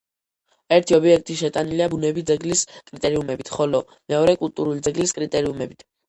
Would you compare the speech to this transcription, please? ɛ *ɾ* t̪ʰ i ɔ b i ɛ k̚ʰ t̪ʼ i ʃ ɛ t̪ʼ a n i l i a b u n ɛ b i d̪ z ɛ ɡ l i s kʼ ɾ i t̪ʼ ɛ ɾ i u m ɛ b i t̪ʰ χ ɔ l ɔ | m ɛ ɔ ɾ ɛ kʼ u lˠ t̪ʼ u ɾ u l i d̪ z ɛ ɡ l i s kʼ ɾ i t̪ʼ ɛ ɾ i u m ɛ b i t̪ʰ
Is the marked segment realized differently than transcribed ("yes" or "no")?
no